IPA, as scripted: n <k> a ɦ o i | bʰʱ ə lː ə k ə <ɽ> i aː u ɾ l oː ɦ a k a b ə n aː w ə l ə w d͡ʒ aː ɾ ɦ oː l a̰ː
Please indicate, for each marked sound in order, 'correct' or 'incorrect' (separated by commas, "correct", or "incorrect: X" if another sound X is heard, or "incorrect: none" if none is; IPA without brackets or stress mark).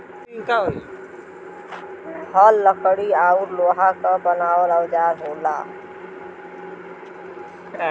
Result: correct, correct